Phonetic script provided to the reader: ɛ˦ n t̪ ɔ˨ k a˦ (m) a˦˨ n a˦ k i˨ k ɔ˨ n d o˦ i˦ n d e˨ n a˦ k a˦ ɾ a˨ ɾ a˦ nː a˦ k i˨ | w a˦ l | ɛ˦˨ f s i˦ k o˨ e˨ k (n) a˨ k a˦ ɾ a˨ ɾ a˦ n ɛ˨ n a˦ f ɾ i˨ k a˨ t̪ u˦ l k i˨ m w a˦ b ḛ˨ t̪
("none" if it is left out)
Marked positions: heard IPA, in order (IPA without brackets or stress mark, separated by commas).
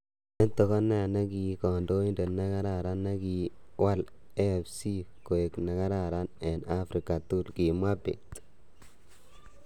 n, n